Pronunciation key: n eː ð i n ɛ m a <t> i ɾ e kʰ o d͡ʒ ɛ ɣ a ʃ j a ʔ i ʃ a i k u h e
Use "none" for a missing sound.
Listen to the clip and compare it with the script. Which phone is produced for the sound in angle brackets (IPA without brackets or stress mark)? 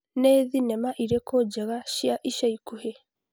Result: ʔ